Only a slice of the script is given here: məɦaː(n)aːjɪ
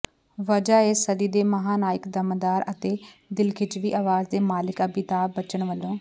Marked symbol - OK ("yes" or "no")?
yes